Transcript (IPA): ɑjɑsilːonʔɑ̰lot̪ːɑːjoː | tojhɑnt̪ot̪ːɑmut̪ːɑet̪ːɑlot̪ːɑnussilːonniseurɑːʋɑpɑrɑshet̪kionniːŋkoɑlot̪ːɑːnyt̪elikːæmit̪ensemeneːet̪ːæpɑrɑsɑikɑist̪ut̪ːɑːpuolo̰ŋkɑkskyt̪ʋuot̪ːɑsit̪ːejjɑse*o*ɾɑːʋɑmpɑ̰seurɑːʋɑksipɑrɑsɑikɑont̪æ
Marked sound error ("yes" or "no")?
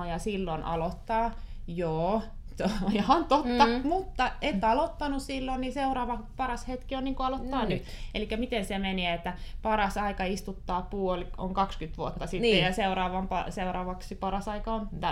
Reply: yes